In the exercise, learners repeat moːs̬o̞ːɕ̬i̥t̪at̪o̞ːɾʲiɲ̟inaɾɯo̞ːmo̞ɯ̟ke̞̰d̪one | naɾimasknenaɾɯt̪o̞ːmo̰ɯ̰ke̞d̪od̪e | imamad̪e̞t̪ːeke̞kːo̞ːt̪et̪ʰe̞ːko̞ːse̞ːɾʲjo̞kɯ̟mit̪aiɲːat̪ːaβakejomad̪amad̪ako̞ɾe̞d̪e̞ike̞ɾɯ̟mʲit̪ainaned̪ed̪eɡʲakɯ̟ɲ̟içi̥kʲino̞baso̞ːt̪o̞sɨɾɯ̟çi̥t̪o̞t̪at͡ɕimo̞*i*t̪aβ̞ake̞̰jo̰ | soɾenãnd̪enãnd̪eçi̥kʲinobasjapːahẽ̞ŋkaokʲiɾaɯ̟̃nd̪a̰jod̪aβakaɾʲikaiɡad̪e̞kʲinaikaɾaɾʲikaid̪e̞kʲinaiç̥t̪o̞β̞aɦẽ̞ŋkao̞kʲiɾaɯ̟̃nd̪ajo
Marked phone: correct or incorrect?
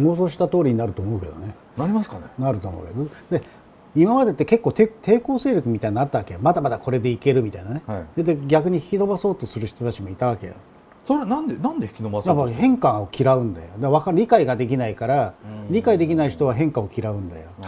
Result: correct